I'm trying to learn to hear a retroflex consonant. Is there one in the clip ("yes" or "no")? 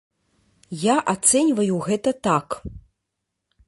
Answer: no